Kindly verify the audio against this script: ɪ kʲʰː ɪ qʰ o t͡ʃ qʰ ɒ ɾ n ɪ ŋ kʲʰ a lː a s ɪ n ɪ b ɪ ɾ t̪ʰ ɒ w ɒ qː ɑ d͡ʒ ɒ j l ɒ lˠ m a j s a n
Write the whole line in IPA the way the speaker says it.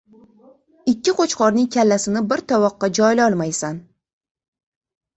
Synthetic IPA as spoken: ɪ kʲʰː ɪ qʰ o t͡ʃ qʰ ɒ ɾ n ɪ ŋ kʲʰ a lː a s ɪ n ɪ b ɪ ɾ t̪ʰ ɒ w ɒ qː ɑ d͡ʒ ɒ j l ɒ lˠ m a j s a n